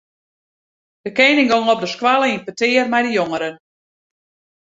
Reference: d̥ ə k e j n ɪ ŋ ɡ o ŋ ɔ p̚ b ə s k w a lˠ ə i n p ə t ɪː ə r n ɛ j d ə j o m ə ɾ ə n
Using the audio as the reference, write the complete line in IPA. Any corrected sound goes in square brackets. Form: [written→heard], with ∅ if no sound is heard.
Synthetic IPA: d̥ ə k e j n ɪ ŋ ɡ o ŋ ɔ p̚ [b→d] ə s k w a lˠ ə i n p ə t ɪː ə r [n→m] ɛ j d ə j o [m→ŋ] ə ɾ ə n